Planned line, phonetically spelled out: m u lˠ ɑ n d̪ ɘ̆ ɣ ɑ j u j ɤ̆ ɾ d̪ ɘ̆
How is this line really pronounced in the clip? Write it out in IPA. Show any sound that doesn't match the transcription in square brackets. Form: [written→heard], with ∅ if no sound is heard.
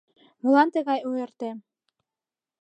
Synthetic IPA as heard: m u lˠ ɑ n [d̪→t̪] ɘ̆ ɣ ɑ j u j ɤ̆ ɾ [d̪→t̪] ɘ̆